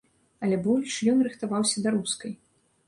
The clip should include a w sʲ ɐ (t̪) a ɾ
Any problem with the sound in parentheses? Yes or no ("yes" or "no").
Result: yes